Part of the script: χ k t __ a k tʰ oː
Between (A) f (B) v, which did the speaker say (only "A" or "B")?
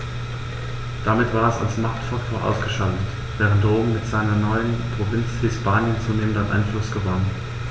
A